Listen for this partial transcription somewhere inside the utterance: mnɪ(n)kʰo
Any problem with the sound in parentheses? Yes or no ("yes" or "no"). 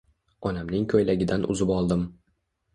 yes